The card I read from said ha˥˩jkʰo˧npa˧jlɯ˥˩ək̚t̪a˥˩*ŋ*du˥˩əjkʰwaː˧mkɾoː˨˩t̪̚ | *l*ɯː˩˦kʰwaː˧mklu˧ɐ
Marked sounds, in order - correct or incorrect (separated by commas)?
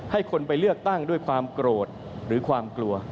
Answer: correct, incorrect